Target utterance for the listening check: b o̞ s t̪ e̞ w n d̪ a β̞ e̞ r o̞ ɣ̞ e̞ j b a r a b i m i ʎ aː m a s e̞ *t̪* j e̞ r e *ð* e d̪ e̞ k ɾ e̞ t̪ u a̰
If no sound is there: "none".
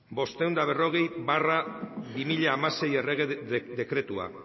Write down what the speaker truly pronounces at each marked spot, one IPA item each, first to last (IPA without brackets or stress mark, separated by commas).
none, ɣ